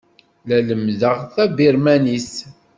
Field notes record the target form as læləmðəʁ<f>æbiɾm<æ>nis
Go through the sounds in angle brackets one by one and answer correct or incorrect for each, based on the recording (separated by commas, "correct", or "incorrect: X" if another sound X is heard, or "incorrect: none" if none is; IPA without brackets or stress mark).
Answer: incorrect: θ, correct